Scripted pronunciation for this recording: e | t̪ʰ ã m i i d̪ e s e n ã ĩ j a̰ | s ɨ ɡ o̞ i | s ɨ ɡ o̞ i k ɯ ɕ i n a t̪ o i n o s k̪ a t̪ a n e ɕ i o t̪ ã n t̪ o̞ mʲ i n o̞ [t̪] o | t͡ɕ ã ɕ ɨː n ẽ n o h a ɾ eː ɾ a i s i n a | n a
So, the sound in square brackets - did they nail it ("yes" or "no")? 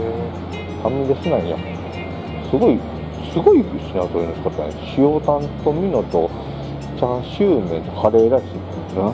yes